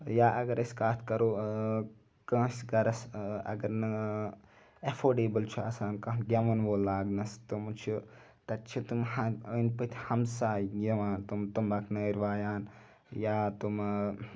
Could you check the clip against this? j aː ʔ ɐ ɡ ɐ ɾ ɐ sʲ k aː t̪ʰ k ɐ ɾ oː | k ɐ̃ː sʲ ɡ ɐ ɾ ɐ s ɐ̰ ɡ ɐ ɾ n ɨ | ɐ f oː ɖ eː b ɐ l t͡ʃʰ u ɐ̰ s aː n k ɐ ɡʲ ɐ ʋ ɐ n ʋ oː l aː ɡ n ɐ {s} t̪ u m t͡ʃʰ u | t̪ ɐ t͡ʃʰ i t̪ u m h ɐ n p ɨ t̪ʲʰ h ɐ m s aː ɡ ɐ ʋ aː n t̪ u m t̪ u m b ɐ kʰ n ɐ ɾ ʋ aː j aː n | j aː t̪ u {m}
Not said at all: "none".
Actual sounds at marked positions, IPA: s, m

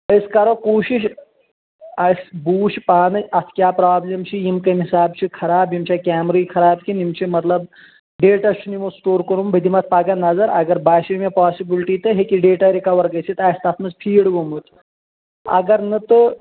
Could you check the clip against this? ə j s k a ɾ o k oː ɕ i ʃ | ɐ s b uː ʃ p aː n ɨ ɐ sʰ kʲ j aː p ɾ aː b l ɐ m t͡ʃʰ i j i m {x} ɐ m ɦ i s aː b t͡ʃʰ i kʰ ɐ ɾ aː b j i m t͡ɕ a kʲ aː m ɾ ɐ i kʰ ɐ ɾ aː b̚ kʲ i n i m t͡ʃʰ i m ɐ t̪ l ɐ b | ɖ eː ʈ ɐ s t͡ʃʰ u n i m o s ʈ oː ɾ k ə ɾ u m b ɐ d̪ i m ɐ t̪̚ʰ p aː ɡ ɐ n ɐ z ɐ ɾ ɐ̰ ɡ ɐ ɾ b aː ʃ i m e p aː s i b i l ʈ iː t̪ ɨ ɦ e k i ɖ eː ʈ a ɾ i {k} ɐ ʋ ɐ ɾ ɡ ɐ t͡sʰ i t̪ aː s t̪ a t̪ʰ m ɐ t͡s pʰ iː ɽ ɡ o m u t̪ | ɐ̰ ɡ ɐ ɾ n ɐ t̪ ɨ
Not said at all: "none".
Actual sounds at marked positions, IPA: k, k

